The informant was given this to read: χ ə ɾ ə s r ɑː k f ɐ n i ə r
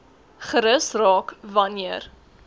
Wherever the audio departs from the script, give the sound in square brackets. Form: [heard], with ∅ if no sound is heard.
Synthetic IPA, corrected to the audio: χ ə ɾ ə s r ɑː k [v] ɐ n i ə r